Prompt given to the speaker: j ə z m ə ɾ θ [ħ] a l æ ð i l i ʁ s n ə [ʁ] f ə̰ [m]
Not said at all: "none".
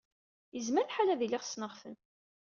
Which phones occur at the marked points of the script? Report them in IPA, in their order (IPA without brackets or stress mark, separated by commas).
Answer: ħ, ʁ, n